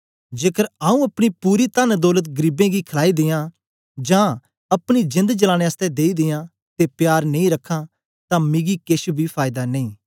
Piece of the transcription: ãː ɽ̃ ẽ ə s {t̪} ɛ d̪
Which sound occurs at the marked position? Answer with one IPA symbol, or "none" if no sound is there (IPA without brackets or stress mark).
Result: t̪